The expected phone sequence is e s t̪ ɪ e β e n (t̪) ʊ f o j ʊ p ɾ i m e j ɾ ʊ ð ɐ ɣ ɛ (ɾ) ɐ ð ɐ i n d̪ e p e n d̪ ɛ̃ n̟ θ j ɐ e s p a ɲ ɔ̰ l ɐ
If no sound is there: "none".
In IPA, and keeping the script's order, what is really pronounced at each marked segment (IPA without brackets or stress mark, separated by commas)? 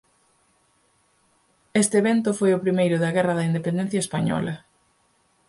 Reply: t̪, r